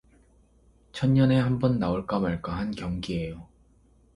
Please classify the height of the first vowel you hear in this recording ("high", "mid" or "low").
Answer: mid